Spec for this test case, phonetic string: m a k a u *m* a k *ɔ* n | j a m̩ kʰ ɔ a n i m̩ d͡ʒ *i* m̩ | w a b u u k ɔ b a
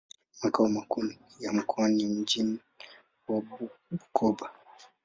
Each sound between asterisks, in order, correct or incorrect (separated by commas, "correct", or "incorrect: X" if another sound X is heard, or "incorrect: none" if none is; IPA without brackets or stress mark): correct, incorrect: u, correct